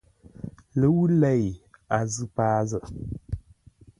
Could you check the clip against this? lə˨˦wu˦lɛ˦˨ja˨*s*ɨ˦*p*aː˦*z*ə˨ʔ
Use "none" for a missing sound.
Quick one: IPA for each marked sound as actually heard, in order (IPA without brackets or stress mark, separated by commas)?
z, p, z